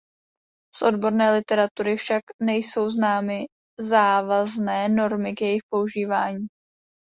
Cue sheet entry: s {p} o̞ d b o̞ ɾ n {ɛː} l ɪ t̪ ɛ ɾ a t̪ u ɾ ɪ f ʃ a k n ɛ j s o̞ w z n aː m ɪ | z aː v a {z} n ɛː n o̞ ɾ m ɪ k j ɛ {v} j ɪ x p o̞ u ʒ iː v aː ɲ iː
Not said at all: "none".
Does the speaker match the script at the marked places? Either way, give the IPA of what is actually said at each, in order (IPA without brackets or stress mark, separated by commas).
ʔ, ɛː, z, none